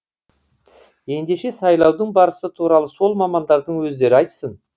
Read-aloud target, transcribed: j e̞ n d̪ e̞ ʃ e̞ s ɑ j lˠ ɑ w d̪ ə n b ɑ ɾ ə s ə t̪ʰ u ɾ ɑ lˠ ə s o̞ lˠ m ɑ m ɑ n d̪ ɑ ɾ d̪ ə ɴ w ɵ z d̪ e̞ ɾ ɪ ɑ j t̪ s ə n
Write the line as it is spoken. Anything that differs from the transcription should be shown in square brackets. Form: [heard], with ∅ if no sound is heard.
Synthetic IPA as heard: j e̞ n d̪ e̞ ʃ e̞ s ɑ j lˠ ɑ w d̪ ə [ɴ] b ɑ ɾ ə s ə t̪ʰ u ɾ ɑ lˠ ə s o̞ lˠ m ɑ m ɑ n d̪ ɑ ɾ d̪ ə ɴ w ɵ z d̪ e̞ ɾ ɪ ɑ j t̪ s ə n